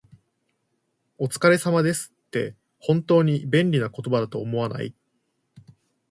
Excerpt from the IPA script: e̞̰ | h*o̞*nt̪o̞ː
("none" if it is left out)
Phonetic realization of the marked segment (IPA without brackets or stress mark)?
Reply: õ̞